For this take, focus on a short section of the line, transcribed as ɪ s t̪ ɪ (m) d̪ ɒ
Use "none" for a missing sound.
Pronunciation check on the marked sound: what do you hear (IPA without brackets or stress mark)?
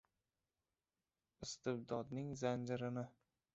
b